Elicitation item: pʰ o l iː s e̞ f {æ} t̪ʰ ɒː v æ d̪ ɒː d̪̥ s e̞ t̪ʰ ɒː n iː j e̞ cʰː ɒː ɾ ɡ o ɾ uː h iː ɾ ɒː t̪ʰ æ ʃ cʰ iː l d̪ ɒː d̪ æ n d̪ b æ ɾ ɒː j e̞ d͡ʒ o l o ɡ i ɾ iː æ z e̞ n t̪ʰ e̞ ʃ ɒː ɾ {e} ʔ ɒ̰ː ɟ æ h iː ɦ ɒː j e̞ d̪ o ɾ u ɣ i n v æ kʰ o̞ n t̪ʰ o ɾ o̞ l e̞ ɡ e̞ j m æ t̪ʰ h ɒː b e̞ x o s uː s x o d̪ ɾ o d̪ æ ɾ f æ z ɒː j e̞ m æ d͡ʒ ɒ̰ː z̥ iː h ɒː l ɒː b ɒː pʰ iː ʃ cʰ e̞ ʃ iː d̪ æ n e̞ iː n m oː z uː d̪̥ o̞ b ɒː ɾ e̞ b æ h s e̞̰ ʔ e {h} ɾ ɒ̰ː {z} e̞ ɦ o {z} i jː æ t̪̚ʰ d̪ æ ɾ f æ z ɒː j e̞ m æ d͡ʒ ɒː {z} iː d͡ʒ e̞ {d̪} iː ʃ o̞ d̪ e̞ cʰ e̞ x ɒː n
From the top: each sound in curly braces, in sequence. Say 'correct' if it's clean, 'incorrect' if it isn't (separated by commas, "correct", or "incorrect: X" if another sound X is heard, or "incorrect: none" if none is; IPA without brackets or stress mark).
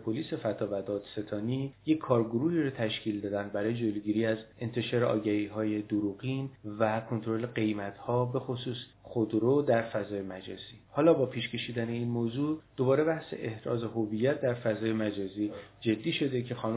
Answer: correct, correct, correct, correct, incorrect: v, correct, incorrect: d̪ː